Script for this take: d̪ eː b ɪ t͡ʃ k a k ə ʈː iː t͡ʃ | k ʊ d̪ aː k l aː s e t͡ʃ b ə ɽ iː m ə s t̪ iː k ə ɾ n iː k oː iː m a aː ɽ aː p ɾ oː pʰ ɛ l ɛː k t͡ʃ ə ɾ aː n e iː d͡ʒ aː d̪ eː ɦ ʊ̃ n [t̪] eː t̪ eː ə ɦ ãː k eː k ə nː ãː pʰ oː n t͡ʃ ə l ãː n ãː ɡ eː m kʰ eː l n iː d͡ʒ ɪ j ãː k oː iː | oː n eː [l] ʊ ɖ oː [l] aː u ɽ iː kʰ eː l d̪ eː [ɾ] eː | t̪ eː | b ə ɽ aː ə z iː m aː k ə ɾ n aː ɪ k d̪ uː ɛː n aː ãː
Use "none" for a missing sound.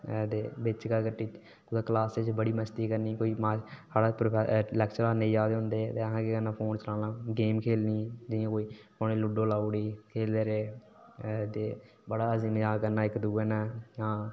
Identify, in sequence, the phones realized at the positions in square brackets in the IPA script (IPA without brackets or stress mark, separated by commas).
d̪, l, l, ɾ